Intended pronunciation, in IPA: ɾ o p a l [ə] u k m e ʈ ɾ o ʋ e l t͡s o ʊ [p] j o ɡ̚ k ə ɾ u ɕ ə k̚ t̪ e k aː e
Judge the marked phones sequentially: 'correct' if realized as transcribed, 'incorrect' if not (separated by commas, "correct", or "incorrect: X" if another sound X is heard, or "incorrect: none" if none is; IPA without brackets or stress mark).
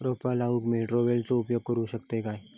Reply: incorrect: a, correct